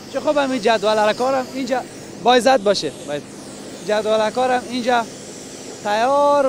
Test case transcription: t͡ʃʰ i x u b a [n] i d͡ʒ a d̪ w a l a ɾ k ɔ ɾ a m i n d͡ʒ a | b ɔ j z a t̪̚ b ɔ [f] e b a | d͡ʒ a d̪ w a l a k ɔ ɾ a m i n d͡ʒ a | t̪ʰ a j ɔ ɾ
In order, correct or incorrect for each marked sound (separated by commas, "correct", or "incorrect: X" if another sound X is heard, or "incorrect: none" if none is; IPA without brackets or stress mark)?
incorrect: m, incorrect: ʃ